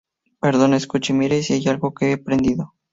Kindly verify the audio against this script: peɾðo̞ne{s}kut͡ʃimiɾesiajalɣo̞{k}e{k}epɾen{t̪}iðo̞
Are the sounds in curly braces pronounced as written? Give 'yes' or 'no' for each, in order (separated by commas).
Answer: yes, yes, no, no